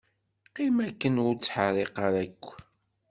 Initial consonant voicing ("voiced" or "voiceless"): voiceless